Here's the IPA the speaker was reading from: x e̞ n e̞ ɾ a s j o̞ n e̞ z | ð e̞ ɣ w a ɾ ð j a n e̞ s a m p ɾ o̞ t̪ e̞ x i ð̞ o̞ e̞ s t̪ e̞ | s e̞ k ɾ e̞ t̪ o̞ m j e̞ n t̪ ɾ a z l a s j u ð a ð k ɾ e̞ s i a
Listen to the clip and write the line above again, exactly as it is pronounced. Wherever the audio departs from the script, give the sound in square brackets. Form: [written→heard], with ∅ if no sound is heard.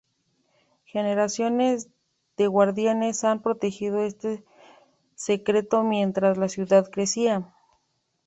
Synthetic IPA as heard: x e̞ n e̞ ɾ a s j o̞ n e̞ z | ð e̞ ɣ w a ɾ ð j a n e̞ s a m p ɾ o̞ t̪ e̞ x i ð̞ o̞ e̞ s t̪ e̞ | s e̞ k ɾ e̞ t̪ o̞ m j e̞ n t̪ ɾ a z l a s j u ð a ð k ɾ e̞ s i a